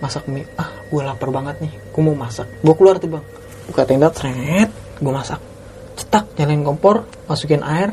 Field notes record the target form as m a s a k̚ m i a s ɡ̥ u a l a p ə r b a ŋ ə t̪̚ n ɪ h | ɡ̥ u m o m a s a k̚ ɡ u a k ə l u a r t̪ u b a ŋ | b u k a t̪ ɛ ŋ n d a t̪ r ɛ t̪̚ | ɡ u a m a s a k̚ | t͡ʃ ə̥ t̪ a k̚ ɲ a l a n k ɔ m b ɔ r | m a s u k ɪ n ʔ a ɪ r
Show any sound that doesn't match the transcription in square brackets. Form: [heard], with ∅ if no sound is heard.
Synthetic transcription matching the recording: m a s a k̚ m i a [h] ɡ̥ u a l a p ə r b a ŋ ə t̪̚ n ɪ h | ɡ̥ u m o m a s a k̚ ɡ u a k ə l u a r t̪ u b a ŋ | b u k a t̪ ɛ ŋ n d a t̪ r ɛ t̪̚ | ɡ u a m a s a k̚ | t͡ʃ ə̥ t̪ a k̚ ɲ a l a n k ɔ m [p] ɔ r | m a s u k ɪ n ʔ a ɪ r